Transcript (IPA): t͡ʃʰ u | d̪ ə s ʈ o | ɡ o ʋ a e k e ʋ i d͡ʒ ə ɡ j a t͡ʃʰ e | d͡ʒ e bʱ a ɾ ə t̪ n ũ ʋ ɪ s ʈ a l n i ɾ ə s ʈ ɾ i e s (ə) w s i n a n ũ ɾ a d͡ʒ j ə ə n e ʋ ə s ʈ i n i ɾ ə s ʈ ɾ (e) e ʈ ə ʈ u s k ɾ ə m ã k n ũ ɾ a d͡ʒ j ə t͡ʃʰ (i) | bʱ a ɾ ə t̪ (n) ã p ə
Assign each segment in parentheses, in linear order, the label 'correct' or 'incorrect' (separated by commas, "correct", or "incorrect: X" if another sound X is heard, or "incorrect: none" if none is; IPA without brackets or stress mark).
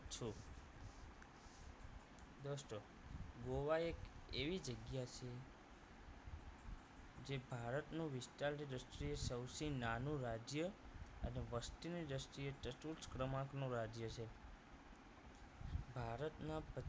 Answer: correct, incorrect: i, incorrect: e, correct